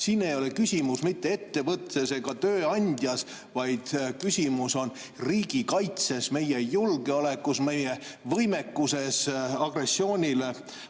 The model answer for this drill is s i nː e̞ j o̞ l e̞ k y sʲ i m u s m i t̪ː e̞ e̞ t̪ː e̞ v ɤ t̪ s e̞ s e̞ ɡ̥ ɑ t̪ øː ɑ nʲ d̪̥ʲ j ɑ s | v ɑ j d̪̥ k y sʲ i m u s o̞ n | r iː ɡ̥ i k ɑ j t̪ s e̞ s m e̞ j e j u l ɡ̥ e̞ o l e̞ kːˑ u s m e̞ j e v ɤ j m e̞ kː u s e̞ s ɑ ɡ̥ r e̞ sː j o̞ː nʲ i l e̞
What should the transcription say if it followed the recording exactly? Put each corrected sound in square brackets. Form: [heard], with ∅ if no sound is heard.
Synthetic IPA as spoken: s i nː e̞ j o̞ l e̞ k y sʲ i m u s m i t̪ː e̞ e̞ t̪ː e̞ v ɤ t̪ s e̞ s e̞ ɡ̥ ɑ t̪ øː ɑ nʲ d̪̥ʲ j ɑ s | v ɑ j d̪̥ k y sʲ i m u s o̞ n | r iː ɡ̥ i k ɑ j t̪ s e̞ s m e̞ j e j u l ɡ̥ e̞ o l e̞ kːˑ u s m e̞ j e v ɤ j m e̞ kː u s e̞ s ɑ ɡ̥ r e̞ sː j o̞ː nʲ i l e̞